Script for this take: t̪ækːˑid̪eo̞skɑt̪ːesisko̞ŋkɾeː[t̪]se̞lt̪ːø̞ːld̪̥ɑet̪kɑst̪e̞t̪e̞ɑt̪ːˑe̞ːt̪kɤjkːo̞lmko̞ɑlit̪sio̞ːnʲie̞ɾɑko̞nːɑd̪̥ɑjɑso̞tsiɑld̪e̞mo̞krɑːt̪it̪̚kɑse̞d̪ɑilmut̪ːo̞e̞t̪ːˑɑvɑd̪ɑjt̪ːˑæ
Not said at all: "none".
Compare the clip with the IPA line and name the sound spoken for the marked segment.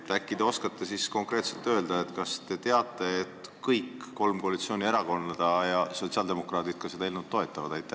t̪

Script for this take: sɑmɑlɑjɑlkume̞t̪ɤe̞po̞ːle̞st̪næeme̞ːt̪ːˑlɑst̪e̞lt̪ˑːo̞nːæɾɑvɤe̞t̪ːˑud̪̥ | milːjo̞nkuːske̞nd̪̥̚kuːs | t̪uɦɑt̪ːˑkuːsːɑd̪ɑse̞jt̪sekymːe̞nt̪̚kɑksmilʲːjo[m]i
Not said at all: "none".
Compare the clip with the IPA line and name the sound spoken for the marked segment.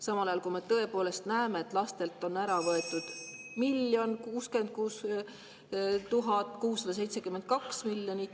n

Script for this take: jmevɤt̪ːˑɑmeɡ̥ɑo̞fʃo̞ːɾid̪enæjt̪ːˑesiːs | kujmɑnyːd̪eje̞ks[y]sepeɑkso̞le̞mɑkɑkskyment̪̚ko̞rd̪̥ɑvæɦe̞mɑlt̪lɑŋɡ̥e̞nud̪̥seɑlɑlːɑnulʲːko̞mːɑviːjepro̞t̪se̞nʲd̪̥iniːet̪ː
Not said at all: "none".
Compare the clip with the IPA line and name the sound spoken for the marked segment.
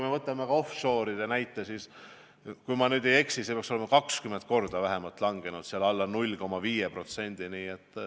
i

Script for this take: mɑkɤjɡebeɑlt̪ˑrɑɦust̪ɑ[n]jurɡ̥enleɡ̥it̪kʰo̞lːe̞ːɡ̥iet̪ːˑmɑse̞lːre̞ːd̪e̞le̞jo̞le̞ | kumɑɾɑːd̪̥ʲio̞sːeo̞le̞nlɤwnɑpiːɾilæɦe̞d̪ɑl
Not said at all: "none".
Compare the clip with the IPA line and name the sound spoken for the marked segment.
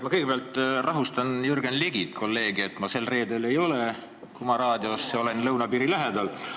n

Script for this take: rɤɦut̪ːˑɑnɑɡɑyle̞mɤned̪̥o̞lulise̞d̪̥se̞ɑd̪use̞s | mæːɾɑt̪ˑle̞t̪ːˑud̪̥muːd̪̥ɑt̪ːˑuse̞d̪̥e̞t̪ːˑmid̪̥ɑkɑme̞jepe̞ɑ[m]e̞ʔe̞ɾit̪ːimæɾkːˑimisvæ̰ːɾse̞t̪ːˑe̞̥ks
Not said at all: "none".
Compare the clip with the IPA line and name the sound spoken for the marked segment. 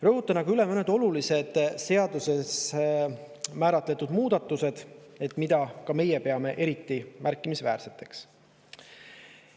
m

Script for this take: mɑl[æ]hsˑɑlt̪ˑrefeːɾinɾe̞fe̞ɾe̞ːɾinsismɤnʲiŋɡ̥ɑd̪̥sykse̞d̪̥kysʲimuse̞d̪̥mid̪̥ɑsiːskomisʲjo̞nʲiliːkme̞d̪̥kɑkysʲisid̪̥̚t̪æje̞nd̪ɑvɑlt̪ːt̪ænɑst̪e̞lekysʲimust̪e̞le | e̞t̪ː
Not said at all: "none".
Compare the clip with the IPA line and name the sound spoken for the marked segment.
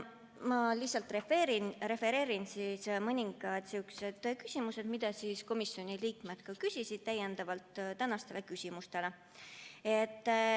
i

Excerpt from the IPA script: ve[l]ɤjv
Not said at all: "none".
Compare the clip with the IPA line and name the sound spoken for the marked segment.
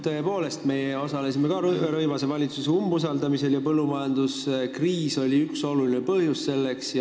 ɾ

